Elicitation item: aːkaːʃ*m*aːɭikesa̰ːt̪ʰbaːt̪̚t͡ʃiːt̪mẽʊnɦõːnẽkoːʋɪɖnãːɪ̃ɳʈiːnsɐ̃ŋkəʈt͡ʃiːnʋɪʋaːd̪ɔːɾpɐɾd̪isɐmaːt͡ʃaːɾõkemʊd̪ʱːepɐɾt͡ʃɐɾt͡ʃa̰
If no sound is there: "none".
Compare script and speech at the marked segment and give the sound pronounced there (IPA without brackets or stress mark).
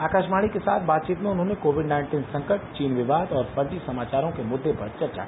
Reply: m